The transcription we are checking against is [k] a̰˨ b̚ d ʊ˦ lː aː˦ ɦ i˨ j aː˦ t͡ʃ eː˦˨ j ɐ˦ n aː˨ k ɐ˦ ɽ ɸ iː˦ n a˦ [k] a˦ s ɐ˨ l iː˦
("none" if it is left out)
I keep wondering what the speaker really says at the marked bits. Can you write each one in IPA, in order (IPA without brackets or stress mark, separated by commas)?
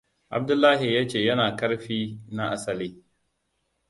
ʔ, ʔ